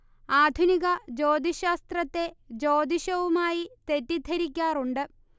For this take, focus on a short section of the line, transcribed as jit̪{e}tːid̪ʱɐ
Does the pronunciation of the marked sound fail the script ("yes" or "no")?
no